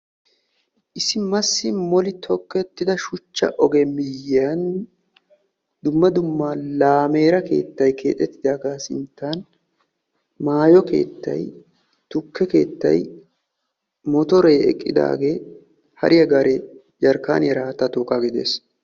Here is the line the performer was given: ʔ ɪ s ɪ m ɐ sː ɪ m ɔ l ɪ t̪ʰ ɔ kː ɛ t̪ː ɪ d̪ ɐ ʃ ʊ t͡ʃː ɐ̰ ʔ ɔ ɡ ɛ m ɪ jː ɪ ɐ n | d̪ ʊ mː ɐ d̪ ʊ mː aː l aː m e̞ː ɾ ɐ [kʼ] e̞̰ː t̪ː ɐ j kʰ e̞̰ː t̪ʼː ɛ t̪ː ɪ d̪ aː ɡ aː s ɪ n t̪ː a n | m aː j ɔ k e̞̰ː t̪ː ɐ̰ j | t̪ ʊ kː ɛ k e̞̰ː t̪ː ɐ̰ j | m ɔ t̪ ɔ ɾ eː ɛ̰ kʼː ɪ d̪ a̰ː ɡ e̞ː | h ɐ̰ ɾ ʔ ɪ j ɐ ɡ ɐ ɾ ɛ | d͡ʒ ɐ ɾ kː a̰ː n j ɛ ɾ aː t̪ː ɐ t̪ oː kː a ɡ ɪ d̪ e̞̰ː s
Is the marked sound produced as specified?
no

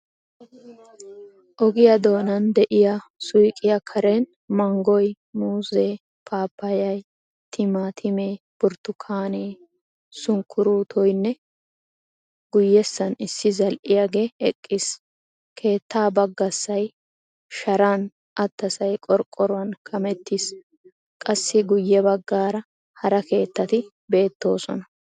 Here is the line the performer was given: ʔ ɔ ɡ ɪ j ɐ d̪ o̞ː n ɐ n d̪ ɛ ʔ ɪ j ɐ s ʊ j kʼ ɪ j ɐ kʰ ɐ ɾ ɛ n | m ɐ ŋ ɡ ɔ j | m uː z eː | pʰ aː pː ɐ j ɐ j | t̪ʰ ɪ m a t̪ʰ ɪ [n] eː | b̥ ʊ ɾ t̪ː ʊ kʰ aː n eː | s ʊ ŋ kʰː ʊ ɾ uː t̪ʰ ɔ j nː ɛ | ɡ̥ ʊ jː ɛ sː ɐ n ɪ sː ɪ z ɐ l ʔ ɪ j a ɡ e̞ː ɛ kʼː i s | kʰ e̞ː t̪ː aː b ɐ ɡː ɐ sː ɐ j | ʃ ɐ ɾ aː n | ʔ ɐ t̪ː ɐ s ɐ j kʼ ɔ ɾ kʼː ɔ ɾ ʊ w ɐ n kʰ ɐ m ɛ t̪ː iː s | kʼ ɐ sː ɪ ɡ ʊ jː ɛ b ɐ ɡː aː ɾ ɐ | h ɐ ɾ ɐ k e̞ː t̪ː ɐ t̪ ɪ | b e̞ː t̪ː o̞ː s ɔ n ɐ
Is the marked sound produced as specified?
no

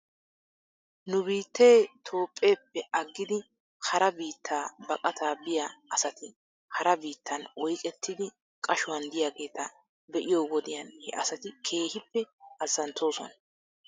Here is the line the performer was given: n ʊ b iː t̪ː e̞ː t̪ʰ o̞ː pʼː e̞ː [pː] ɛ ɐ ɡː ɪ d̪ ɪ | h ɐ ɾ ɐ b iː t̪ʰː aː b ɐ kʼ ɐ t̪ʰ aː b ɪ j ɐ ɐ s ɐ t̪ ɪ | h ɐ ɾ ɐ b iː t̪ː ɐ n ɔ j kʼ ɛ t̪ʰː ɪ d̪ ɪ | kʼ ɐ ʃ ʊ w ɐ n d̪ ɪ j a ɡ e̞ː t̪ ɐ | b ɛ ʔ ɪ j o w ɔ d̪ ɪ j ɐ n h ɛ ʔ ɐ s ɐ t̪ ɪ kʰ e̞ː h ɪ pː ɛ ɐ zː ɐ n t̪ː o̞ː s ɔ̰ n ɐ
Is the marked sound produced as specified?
yes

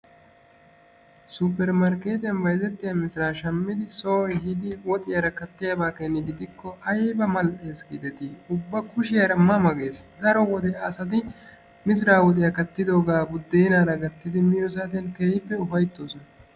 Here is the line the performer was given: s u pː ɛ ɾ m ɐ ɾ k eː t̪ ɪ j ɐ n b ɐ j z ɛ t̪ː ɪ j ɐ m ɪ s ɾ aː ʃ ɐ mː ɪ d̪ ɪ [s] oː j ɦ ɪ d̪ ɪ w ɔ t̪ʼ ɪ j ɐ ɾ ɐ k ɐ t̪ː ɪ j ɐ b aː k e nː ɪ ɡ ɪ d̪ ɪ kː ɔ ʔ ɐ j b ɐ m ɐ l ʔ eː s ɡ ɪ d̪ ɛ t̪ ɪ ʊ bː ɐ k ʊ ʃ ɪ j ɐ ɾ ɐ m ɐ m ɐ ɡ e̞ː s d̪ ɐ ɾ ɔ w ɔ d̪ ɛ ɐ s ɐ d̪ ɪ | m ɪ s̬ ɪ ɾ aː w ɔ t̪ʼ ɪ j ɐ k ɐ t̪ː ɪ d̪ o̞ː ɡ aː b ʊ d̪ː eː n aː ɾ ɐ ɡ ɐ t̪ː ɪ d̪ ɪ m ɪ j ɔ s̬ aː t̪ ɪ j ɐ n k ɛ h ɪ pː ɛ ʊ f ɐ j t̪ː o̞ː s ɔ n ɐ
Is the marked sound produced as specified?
yes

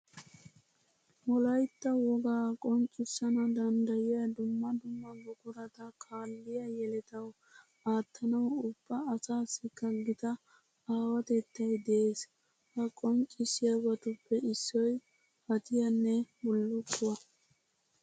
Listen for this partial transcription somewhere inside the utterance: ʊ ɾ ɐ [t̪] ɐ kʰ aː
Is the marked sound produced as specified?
yes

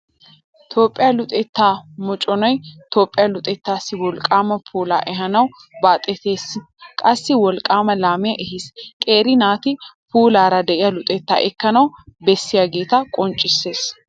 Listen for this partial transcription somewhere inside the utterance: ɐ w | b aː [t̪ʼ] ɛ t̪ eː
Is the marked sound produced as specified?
yes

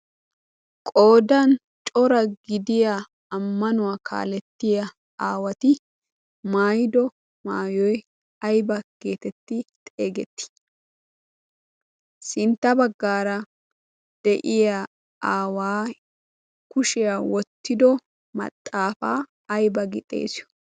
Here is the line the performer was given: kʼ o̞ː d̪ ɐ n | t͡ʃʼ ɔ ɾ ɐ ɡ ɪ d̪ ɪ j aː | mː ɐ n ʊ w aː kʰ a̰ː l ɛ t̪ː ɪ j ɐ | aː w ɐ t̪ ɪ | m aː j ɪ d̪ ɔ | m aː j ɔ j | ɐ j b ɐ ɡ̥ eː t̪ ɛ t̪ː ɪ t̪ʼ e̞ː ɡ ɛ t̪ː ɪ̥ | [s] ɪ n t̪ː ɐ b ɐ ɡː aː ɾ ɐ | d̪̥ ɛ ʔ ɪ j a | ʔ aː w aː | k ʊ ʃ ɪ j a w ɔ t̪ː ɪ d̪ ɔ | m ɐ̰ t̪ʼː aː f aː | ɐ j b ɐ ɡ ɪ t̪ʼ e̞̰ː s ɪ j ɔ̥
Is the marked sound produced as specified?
yes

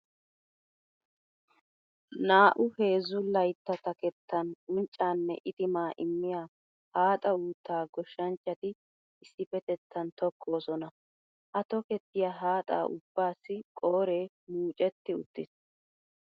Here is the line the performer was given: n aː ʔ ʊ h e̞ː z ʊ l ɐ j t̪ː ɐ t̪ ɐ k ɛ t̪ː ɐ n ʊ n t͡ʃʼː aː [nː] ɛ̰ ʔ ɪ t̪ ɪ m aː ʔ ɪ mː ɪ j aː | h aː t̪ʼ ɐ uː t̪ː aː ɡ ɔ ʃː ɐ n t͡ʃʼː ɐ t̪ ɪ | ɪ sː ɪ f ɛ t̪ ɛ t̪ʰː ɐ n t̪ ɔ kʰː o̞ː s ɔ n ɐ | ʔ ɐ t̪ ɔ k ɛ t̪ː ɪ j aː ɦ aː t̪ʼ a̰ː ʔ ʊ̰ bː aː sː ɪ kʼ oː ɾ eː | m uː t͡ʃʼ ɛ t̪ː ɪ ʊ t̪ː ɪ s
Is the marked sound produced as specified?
yes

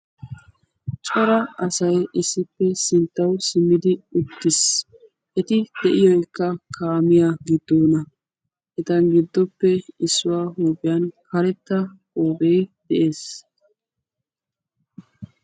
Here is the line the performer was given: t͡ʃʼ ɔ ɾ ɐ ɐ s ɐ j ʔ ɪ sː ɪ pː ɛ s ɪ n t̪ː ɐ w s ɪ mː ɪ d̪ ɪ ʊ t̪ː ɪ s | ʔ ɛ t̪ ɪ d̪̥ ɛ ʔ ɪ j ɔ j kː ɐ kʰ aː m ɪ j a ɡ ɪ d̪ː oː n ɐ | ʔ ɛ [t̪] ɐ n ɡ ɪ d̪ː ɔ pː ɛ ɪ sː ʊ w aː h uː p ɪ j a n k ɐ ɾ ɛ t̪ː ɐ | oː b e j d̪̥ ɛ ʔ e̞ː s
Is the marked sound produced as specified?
yes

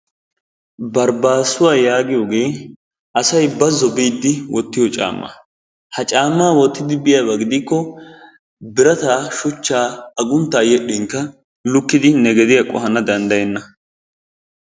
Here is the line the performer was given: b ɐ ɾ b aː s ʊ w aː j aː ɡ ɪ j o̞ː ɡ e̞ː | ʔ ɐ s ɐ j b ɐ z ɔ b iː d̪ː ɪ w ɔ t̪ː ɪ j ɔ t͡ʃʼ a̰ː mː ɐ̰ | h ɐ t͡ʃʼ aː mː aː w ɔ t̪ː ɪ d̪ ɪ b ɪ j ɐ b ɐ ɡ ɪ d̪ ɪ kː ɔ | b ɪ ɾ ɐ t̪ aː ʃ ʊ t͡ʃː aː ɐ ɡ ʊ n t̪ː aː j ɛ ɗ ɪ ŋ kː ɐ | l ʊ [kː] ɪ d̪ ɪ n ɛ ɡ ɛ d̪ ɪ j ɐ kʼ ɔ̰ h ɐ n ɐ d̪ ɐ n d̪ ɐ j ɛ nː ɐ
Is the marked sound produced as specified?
yes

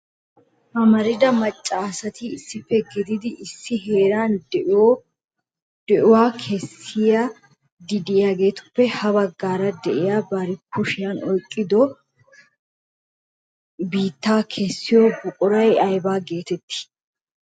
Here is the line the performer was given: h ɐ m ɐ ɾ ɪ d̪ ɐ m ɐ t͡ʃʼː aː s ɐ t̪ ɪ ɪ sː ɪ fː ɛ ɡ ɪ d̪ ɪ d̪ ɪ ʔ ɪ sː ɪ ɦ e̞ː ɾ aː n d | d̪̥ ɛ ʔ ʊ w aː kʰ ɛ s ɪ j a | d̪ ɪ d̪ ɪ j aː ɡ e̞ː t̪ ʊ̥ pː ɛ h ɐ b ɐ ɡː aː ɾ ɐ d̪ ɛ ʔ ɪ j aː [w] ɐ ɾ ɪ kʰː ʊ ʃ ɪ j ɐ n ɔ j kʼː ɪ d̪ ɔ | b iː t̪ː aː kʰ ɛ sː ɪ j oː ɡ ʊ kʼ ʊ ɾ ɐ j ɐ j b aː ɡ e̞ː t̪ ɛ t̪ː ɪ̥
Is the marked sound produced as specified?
no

